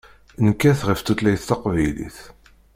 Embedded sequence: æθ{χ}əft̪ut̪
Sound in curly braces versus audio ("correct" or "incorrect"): incorrect